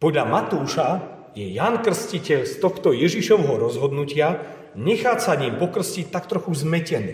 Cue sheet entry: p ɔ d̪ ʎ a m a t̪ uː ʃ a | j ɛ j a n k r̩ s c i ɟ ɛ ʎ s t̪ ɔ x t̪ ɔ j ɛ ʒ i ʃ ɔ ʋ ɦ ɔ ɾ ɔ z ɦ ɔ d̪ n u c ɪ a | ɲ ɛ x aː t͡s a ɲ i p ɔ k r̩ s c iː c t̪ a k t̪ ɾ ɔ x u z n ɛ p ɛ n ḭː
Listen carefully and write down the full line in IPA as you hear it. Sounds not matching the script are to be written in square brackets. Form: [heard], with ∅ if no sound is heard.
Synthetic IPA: p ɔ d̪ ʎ a m a t̪ uː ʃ a | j ɛ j a n k r̩ s c i [c] ɛ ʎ s t̪ ɔ x t̪ ɔ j ɛ ʒ i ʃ ɔ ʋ ɦ ɔ ɾ ɔ z ɦ ɔ d̪ n u c ɪ a | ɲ ɛ x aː t͡s a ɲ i p ɔ k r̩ s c [i] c t̪ a k t̪ ɾ ɔ x u z [m] ɛ [c] ɛ n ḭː